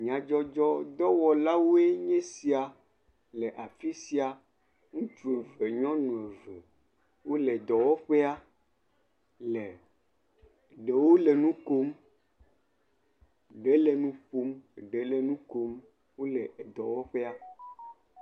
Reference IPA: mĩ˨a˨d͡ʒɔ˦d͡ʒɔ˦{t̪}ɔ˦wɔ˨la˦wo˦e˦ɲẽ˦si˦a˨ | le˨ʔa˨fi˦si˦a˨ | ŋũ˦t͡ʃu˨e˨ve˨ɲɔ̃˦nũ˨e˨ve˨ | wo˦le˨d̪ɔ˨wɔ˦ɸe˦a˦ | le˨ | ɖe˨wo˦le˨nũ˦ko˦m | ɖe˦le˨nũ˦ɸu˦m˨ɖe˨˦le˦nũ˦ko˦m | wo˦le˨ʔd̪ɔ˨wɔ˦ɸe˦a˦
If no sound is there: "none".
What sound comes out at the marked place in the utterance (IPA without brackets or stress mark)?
d̪